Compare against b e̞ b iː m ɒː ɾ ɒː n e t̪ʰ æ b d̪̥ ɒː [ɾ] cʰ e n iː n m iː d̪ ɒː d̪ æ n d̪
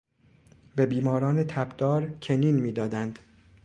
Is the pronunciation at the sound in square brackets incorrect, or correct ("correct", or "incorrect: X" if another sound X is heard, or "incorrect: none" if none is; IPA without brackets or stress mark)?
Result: correct